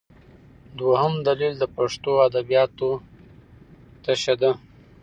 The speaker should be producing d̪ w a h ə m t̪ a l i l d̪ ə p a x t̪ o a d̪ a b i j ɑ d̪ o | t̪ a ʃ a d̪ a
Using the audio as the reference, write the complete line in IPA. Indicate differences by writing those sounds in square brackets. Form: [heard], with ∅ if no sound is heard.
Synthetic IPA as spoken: d̪ w a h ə m [d̪] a l i l d̪ ə p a [ʂ] t̪ o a d̪ a b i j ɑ [t̪] o | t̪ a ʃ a d̪ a